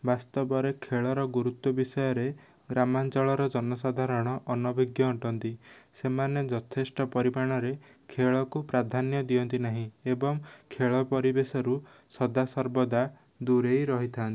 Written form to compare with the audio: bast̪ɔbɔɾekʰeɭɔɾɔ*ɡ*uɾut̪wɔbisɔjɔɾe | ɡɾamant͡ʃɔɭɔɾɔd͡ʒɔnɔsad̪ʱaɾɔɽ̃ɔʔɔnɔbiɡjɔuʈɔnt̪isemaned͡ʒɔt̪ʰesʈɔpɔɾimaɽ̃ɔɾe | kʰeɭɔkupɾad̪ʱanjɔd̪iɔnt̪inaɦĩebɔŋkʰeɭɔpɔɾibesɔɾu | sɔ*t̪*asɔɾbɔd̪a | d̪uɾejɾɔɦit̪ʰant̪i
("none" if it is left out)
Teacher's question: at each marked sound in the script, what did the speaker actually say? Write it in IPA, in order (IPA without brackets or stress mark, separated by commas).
ɡ, d̪